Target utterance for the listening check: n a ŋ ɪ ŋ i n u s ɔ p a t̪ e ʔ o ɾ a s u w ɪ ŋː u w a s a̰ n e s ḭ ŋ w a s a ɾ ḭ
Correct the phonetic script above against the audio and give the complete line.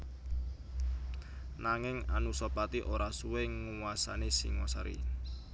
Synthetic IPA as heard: n a ŋ ɪ ŋ a n u s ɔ p a t̪ i ʔ o ɾ a s u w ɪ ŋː u w a s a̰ n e s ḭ ŋ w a s a ɾ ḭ